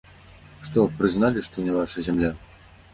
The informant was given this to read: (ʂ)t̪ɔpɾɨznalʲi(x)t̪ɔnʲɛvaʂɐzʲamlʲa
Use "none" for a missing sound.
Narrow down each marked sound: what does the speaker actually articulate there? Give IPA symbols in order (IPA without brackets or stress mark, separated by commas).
ʂ, ʂ